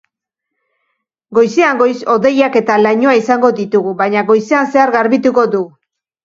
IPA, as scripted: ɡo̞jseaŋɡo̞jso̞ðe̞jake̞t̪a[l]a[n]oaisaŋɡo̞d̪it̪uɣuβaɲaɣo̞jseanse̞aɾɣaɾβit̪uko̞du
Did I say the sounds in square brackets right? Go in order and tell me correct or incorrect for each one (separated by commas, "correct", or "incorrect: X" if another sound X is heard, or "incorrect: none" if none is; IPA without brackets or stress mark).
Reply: correct, incorrect: ɲ